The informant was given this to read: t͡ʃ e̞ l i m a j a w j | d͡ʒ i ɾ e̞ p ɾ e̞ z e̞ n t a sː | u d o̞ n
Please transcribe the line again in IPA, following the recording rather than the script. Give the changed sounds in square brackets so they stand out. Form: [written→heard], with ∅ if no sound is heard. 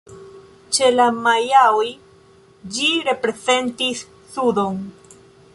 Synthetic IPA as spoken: t͡ʃ e̞ l [i→a] m a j a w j | d͡ʒ i ɾ e̞ p ɾ e̞ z e̞ n t [a→i] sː | u d o̞ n